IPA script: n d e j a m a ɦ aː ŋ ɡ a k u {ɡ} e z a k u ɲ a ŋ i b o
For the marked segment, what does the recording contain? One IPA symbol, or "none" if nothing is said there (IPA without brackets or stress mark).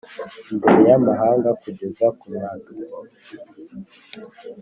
ɟ